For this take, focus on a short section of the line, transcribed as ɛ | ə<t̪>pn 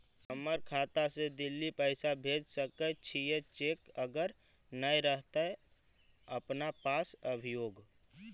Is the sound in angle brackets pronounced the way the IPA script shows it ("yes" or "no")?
no